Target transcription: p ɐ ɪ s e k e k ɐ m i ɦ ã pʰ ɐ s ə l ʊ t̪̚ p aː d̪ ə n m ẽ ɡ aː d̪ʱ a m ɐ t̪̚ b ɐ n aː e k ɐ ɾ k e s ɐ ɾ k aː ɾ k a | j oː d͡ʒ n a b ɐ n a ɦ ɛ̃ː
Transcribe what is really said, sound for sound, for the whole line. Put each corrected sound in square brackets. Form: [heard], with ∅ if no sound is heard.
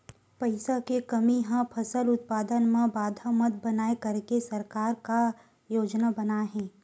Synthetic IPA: p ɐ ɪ s [a] k e k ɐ m i ɦ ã pʰ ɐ s ə l ʊ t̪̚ p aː d̪ ə n m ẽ [b] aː d̪ʱ a m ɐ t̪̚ b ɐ n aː e k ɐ ɾ k e s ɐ ɾ k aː ɾ k a | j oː d͡ʒ n a b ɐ n a ɦ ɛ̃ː